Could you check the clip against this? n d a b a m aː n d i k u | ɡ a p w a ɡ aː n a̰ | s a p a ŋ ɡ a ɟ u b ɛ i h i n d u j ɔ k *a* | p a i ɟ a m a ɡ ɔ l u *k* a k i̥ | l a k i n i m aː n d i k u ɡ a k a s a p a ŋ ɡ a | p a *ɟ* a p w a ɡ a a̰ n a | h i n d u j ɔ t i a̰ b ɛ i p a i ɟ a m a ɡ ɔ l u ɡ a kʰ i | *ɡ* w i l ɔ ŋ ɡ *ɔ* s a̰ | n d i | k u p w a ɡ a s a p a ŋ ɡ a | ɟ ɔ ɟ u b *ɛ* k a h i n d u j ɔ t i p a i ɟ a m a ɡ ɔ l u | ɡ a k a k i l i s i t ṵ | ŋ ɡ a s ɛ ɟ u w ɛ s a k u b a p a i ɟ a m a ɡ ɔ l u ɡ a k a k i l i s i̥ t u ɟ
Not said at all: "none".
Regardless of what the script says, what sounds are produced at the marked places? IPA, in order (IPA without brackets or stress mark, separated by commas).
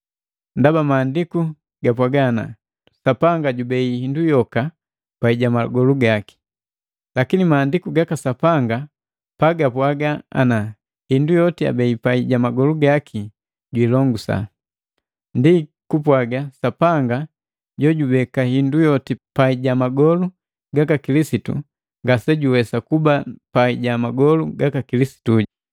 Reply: a, ɡ, ɡ, ɟ, u, ɛ